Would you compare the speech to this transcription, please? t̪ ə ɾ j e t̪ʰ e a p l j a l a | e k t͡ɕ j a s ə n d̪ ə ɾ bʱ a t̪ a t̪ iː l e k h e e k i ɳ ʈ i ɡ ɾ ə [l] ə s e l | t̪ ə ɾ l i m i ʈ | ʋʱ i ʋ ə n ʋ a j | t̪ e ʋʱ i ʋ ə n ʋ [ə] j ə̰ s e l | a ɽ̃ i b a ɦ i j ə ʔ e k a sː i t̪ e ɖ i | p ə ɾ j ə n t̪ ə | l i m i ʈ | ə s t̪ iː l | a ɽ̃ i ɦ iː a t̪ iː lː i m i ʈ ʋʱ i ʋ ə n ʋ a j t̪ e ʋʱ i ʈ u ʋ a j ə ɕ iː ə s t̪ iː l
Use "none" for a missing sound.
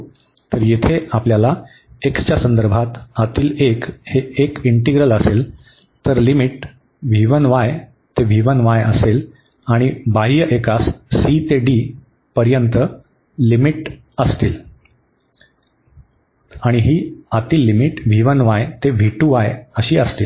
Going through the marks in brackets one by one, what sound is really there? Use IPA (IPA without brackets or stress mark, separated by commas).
l, a